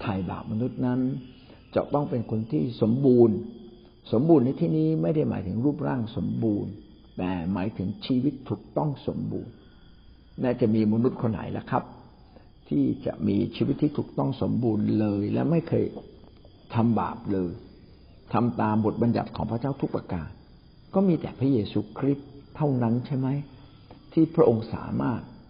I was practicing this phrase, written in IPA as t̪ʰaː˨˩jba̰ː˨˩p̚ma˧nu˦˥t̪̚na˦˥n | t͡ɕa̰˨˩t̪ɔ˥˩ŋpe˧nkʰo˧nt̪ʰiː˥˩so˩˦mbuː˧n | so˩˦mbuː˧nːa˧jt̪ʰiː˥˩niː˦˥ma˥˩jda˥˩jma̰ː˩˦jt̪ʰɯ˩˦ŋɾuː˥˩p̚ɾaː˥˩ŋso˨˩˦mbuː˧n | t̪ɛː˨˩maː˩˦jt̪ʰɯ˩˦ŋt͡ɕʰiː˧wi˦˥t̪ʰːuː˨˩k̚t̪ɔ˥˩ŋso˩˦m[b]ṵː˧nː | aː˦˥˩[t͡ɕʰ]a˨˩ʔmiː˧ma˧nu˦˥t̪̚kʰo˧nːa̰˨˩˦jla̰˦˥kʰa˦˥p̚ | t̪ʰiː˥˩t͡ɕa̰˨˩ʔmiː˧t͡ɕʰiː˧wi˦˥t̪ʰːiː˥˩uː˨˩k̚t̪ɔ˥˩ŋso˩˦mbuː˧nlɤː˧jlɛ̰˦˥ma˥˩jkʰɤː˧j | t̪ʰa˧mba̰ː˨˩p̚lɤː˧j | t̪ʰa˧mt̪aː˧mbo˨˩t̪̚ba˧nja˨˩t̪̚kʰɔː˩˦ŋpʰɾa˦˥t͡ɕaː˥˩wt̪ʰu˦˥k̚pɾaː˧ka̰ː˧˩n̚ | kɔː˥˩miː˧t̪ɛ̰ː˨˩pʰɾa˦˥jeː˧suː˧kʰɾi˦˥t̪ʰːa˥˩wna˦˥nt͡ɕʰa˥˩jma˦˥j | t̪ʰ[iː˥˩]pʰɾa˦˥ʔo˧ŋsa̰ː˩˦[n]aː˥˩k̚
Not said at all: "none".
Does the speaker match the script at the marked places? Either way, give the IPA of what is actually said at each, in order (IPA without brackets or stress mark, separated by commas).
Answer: b, t͡ɕ, iː˥˩, m